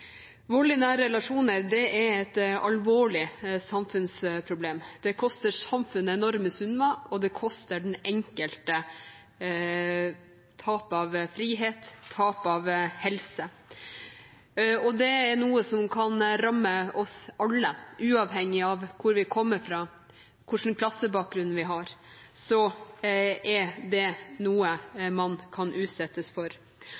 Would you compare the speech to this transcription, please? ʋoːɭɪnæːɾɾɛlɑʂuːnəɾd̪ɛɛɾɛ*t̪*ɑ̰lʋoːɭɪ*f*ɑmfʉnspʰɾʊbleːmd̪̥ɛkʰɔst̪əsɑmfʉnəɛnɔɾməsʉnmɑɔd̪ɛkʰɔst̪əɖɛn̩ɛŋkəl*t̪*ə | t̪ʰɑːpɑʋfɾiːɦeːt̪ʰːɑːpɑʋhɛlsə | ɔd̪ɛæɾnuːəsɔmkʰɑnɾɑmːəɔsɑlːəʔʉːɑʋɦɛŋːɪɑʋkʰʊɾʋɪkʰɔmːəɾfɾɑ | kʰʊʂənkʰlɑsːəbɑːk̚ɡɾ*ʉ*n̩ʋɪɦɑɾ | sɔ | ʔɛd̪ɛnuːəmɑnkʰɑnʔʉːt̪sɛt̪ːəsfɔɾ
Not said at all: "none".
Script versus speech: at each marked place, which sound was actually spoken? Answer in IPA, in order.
t̪, s, t̪, ʉ

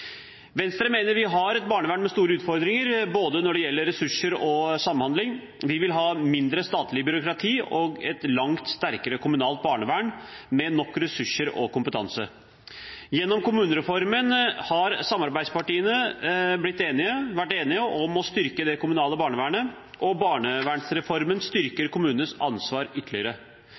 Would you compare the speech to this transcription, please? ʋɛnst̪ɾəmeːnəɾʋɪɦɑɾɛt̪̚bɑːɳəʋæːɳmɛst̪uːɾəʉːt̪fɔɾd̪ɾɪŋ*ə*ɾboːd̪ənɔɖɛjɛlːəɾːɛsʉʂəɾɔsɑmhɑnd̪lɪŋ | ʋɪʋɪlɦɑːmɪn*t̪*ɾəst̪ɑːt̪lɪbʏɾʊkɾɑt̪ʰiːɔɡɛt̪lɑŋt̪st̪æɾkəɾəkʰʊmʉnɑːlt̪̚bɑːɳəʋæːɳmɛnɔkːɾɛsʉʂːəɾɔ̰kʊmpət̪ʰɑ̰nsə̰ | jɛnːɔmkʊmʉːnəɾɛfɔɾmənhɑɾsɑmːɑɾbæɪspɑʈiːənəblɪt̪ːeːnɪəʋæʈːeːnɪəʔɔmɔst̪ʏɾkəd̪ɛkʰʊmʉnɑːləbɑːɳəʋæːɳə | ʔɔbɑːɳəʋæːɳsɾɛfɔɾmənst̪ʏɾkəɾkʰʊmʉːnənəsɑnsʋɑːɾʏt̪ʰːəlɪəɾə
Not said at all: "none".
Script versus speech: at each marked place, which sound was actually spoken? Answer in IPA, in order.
ə, d̪

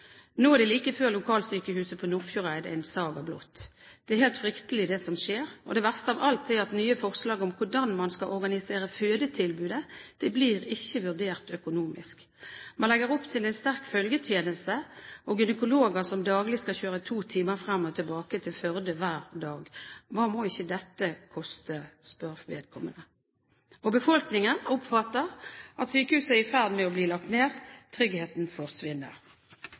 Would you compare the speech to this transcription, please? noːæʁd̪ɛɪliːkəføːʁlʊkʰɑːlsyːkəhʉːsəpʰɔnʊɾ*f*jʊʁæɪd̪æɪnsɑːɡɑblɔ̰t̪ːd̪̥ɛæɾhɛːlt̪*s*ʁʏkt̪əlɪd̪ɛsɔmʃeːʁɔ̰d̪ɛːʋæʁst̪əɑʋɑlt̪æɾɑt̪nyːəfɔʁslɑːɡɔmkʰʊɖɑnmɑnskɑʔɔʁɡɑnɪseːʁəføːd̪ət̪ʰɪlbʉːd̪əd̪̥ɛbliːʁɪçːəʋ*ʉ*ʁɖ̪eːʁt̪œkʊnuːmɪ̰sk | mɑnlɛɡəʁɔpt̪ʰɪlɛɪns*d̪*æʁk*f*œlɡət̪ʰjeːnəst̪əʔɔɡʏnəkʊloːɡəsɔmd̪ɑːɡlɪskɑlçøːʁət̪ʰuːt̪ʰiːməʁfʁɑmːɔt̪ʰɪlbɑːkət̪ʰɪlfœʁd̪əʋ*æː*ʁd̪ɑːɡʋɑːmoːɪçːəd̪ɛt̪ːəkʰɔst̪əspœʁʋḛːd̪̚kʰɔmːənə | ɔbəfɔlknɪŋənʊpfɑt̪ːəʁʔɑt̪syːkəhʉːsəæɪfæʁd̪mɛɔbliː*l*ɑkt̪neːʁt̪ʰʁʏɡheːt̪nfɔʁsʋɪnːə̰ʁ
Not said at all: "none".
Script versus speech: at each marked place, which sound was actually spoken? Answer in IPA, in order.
f, f, ʉ, t̪, f, æː, l

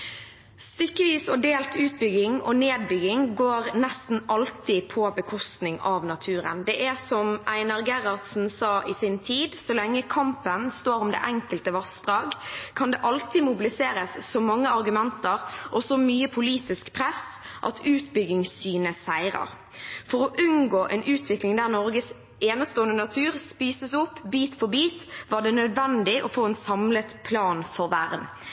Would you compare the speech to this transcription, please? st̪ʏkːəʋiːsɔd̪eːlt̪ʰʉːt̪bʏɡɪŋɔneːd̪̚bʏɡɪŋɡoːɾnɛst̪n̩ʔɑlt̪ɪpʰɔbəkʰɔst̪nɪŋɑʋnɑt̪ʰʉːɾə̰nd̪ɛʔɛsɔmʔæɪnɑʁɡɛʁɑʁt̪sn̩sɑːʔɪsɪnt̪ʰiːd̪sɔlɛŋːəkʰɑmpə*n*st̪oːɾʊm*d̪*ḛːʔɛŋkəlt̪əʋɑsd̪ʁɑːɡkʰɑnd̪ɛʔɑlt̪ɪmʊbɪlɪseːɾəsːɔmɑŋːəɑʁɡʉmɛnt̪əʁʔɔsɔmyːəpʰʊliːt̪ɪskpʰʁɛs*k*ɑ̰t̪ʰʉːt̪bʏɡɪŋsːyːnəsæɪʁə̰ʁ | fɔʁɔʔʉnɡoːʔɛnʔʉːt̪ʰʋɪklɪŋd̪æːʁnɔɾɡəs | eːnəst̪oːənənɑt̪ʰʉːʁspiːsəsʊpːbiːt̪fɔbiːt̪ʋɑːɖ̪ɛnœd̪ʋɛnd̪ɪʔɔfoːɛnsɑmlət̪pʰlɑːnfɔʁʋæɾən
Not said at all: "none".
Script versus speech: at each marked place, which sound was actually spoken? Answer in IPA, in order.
n, d̪, ʔ

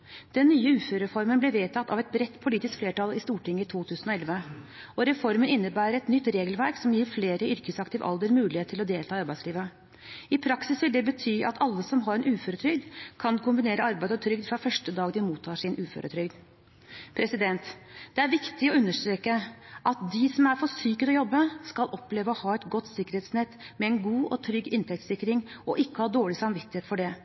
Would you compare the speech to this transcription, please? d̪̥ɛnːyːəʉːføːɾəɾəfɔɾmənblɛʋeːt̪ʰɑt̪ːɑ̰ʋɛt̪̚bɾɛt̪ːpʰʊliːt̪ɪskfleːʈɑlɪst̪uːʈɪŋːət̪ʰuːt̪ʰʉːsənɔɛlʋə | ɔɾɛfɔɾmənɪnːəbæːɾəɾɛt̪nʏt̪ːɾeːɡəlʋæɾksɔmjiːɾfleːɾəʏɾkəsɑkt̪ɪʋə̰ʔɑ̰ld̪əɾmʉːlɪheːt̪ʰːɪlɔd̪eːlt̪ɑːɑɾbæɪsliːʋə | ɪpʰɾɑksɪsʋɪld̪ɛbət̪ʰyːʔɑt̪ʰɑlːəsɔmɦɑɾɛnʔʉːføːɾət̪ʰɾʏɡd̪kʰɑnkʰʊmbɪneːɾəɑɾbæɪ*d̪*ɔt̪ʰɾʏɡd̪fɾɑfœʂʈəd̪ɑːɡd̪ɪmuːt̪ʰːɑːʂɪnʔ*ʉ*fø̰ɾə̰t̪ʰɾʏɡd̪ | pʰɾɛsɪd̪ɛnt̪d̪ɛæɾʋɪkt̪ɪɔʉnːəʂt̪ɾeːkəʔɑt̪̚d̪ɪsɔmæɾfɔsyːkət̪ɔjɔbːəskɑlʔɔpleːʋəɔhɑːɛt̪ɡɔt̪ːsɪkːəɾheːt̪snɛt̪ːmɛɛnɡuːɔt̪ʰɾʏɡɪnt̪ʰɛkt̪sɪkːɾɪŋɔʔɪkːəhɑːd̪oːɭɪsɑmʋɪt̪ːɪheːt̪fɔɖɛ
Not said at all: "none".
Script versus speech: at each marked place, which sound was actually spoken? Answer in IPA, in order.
d̪, ʉː

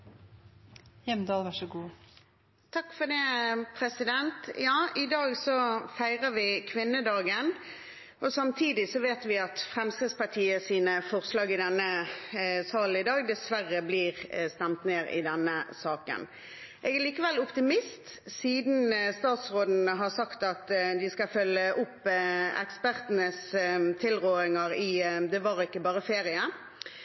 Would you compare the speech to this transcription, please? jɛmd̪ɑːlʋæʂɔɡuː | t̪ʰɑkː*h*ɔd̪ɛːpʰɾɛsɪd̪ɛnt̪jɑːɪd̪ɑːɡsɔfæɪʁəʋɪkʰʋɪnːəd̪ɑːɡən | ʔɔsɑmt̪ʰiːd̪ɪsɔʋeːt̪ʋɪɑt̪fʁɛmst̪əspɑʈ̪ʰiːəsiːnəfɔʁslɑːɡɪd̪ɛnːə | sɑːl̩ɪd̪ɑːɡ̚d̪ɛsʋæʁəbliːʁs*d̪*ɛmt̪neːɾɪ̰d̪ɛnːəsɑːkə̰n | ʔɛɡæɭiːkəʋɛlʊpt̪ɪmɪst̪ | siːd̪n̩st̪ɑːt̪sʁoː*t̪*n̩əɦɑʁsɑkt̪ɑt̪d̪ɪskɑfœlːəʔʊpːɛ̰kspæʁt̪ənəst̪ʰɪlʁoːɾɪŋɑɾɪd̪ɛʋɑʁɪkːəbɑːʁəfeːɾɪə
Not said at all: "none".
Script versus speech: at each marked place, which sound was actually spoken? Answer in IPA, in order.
f, t̪, d̪

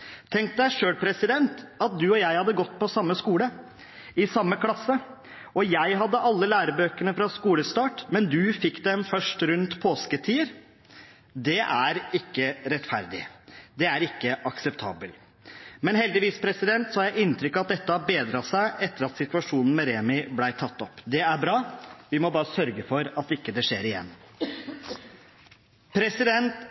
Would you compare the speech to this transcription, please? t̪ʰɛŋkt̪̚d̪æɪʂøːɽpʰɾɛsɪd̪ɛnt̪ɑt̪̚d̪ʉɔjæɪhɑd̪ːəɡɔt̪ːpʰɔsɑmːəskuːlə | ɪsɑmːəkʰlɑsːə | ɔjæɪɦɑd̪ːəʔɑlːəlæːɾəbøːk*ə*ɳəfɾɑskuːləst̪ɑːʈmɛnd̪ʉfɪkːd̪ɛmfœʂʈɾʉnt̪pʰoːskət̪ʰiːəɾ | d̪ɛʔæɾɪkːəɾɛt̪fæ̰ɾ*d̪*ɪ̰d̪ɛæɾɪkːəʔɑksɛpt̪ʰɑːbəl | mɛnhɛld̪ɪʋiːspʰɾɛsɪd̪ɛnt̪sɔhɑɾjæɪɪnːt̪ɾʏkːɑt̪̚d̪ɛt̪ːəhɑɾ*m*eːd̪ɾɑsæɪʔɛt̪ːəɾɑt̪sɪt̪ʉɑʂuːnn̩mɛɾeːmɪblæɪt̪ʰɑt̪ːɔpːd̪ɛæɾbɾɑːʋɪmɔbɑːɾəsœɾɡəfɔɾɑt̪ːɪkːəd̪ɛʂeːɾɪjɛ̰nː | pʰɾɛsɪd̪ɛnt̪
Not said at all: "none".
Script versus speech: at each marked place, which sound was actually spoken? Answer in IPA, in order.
ə, d̪, b

